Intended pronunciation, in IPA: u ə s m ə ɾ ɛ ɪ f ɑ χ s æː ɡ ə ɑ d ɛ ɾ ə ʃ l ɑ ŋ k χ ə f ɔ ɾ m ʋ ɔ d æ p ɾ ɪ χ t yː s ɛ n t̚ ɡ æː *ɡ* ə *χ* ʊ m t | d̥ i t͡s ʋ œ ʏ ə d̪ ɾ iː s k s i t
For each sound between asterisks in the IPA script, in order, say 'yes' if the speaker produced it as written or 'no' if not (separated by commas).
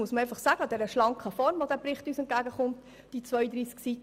yes, yes